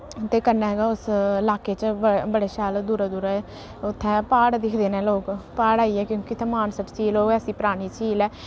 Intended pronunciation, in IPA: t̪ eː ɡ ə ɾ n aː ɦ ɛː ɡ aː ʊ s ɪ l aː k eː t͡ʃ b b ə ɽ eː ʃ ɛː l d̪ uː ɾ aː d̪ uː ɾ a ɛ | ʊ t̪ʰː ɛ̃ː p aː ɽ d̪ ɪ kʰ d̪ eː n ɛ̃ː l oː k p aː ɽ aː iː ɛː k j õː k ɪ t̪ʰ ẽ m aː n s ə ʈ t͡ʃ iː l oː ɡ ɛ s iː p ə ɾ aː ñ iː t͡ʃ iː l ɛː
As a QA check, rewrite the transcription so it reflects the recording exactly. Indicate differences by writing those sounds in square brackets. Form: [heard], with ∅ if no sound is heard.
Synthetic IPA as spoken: t̪ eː [k] ə ɾ n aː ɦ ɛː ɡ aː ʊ s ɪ l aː k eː t͡ʃ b b ə ɽ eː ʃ [aː] l d̪ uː ɾ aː d̪ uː ɾ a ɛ | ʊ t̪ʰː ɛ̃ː p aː ɽ d̪ ɪ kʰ d̪ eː n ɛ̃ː l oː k p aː ɽ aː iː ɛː k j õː k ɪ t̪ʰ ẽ m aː n s ə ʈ t͡ʃ iː l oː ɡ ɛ s iː p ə ɾ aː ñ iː t͡ʃ iː l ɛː